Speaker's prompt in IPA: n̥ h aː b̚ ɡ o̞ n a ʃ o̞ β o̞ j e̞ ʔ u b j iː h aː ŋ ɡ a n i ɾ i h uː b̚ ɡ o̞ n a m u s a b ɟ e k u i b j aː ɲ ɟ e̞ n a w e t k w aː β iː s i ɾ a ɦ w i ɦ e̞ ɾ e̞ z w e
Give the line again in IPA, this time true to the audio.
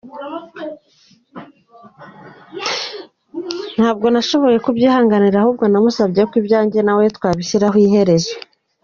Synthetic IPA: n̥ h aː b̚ ɡ o̞ n a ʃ o̞ β o̞ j e̞ k u b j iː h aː ŋ ɡ a n i ɾ a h uː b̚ ɡ o̞ n a m u s a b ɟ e k w i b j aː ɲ ɟ e̞ n a w e t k w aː β i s i ɾ a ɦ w i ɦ e̞ ɾ e̞ z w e

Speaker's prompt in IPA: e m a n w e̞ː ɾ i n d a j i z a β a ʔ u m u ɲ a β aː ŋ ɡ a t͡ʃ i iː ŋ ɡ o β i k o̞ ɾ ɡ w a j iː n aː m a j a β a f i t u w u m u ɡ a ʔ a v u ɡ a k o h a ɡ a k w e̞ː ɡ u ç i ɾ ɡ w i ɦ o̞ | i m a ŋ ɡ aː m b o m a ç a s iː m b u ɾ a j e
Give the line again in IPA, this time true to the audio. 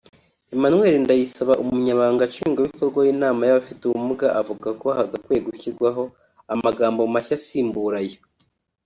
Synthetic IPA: e m a n w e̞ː ɾ i n d a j i s a β a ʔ u m u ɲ a β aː ŋ ɡ a t͡ʃ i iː ŋ ɡ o β i k o̞ ɾ ɡ w a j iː n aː m a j a β a f i t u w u m u ɡ a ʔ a v u ɡ a k o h a ɡ a k w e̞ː ɡ u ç i ɾ ɡ w a ɦ o̞ | a m a ɡ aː m b o m a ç a s iː m b u ɾ a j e

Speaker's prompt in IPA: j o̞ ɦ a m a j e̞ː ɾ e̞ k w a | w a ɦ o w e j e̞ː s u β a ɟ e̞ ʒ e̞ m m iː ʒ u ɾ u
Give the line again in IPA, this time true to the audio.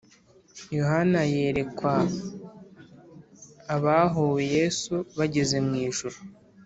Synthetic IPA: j o̞ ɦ a n a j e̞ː ɾ e̞ k w a | β a ɦ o w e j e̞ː s u β a ɟ e̞ z e̞ m ŋ iː ʒ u ɾ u

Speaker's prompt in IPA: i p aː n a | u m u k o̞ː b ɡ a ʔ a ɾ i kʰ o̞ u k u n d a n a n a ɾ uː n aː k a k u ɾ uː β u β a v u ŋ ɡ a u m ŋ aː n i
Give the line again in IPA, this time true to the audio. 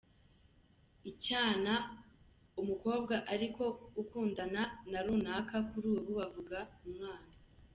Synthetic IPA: i c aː n a | u m u k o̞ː b ɡ a ʔ a ɾ i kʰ o̞ u k uː n d a n a n a ɾ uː n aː k a k u ɾ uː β u β a v u ɡ a u m ŋ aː n a

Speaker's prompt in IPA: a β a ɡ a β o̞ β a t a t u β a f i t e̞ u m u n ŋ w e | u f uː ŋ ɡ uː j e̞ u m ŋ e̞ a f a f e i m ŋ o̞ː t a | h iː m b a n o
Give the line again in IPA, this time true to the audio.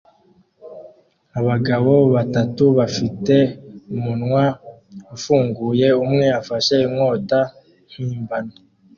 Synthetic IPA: a β a ɡ a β o̞ β a t a t u β a f i t e̞ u m u n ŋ w a | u f uː ŋ ɡ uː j e̞ u m ŋ e̞ a f a ʃ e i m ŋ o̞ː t a | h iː m b a n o

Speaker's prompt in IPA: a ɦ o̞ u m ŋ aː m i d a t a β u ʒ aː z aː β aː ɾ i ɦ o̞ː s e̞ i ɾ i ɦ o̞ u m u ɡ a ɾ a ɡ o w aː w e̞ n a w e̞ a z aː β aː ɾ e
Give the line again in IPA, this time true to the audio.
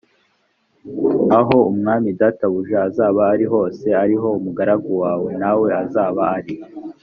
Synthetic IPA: a ɦ o̞ u m ŋ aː m i d a t a β u ʒ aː z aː β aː ɾ i ɦ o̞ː s e̞ a ɾ i ɦ o̞ u m u ɡ a ɾ a ɡ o w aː w e̞ n a w e̞ a z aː β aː ɾ i

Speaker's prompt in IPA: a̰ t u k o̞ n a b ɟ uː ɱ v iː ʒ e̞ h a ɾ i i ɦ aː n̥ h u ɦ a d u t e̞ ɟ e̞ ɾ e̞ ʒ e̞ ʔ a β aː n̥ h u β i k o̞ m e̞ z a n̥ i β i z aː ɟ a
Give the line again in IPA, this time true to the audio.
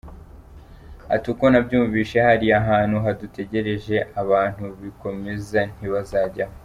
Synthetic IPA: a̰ t u k o̞ n a b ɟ uː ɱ v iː ʃ e̞ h a ɾ i a ɦ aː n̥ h u ɦ a d u t e̞ ɟ e̞ ɾ e̞ ʒ e̞ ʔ a β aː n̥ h u β i k o̞ m e̞ z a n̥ i β a z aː ɟ a

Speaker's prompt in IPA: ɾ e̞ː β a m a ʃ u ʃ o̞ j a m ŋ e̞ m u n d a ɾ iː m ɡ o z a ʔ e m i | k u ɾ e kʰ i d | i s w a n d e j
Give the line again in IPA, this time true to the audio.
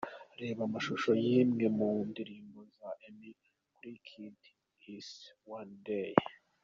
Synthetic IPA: ɾ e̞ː β a m a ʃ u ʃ o̞ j i m ŋ e̞ m u n d i ɾ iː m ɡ o z a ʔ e m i | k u ɾ i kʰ i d | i s w a n d e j

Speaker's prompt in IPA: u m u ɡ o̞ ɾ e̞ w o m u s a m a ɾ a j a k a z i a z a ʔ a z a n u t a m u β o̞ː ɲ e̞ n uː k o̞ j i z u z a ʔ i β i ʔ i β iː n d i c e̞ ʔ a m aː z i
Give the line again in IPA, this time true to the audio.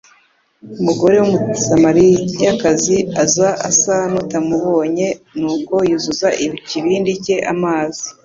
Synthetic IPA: u m u ɡ o̞ ɾ e̞ w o m u s a m a ɾ i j a k a z i a z a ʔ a s a n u t a m u β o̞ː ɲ e̞ n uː k o̞ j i z u z a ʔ i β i c i β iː n d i c e̞ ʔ a m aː z i

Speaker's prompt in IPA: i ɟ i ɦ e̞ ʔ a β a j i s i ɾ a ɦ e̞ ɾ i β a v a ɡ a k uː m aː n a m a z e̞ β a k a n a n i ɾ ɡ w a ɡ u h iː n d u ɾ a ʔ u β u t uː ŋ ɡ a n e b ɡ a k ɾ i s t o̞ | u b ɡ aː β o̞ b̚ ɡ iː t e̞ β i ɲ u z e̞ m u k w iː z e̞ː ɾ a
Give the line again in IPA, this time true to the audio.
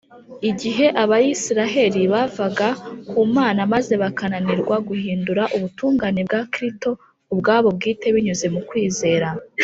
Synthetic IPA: i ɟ i ɦ e̞ ʔ a β a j i s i ɾ a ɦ e̞ ɾ i β a v a ɡ a k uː m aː n a m a z e̞ β a k a n a n i ɾ ɡ w a ɡ u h iː n d u ɾ a ʔ u β u t uː ŋ ɡ a n e b ɡ a k ɾ i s t o̞ | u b ɡ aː β o̞ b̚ ɡ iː t e̞ β i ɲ u z e̞ m u k w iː z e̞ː ɾ a

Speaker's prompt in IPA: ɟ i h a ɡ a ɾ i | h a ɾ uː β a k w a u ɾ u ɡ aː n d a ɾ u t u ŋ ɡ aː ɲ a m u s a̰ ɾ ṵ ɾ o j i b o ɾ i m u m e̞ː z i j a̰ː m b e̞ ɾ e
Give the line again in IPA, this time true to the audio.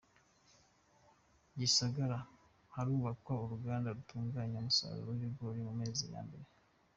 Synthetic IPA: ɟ i s a ɡ a ɾ a | h a ɾ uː β a k w a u ɾ u ɡ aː n d a ɾ u t uː ŋ ɡ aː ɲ a m u s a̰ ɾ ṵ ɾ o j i ɡ o ɾ i m u m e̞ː z i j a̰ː m b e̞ ɾ e

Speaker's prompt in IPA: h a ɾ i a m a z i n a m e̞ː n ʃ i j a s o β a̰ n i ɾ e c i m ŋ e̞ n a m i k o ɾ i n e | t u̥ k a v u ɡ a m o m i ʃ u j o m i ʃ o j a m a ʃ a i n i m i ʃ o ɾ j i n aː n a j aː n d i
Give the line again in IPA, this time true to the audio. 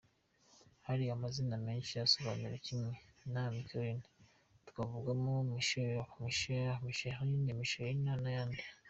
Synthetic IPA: h a ɾ i a m a z i n a m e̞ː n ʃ i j a s o β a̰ n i ɾ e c i m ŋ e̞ n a m i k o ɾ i n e | t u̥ k a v u ɡ a m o m i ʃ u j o m i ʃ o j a m i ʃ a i n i m i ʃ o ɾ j i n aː n a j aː n d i

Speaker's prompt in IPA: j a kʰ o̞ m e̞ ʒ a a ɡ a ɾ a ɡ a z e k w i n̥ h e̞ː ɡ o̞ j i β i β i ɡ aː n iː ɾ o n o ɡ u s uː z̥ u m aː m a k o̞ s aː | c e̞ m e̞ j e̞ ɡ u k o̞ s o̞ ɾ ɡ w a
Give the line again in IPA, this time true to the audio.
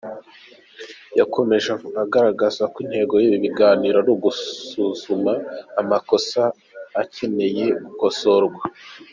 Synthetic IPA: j a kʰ o̞ m e̞ ʒ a a ɡ a ɾ a ɡ a z a k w i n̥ h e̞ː ɡ o̞ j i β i β i ɡ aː n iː ɾ o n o ɡ u s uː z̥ u m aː m a k o̞ s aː | c e̞ n e̞ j e̞ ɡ u k o̞ s o̞ ɾ ɡ w a

